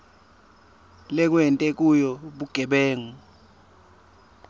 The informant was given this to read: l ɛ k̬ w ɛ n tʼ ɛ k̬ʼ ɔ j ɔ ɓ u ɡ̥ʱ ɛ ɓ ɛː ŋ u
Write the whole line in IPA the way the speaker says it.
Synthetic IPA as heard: l ɛ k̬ w ɛ n tʼ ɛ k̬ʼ u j ɔ ɓ u ɡ̥ʱ ɛ ɓ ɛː ŋ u